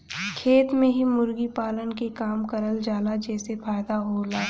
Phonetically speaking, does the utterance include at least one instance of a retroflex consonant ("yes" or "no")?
no